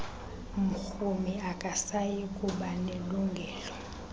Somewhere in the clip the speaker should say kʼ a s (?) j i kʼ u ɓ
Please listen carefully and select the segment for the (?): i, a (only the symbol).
a